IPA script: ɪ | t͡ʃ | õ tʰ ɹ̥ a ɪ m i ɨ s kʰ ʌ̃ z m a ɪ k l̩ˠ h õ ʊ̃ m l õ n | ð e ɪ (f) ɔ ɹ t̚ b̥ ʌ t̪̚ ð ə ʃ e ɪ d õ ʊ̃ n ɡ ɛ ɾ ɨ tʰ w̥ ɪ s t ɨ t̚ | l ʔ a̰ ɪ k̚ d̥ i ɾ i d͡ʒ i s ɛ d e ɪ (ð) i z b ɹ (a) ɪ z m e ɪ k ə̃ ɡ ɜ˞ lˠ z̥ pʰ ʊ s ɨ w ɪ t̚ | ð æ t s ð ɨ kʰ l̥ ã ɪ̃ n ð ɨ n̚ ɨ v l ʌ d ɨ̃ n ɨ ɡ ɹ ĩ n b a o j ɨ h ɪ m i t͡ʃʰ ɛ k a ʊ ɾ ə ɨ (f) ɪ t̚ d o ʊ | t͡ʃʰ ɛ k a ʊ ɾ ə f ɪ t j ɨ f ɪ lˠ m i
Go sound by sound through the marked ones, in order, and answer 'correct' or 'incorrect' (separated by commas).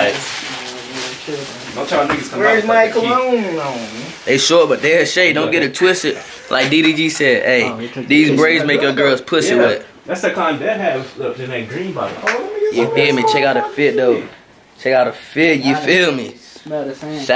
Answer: incorrect, correct, incorrect, correct